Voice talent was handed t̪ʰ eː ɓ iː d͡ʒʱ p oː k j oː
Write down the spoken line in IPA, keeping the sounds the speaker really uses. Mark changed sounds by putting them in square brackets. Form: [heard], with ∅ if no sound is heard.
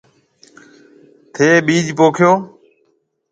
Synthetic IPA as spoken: t̪ʰ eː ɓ iː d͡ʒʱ p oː [kʰ] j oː